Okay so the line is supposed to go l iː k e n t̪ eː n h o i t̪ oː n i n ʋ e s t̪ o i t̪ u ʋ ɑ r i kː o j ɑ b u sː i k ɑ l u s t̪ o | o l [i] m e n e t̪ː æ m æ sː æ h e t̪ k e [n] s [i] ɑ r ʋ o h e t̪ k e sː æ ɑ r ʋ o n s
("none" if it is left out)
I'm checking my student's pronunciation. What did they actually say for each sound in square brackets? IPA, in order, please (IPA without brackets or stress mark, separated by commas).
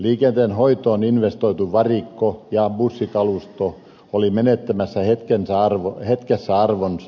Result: i, n, æ